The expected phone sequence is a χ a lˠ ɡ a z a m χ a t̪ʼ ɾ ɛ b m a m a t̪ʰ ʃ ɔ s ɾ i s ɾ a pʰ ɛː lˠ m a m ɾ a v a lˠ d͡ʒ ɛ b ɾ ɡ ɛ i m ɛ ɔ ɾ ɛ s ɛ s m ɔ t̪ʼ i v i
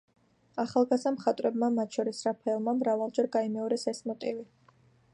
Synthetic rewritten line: a χ a lˠ ɡ a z a m χ a t̪ʼ ɾ ɛ b m a m a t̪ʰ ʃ ɔ ɾ i s ɾ a pʰ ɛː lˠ m a m ɾ a v a lˠ d͡ʒ ɛ ɾ ɡ a i m ɛ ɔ ɾ ɛ s ɛ s m ɔ t̪ʼ i v i